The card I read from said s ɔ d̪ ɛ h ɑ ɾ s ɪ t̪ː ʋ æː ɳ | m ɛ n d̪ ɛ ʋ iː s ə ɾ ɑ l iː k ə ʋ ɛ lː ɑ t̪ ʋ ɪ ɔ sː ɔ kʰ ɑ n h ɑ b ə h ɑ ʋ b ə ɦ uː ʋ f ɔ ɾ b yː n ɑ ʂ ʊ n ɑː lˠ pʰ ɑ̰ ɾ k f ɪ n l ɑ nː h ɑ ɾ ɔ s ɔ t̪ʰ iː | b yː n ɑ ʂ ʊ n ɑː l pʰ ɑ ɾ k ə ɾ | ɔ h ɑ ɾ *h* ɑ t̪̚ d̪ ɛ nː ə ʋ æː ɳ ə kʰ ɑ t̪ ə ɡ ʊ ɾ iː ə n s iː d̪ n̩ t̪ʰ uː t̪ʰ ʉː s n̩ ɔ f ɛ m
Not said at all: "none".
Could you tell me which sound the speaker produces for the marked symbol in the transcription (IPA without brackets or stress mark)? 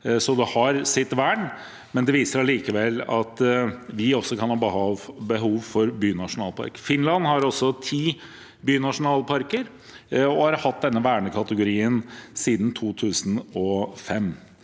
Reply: h